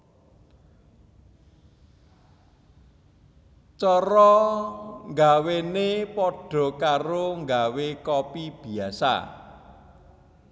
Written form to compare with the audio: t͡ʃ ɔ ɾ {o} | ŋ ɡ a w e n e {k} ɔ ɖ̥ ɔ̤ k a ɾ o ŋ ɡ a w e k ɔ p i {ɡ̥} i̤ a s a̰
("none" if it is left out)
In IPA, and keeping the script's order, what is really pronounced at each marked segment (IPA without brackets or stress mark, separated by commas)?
ɔ, p, b̥